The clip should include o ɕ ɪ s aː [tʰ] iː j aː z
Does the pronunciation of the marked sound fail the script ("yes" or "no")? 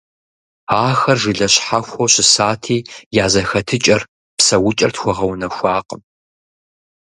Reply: no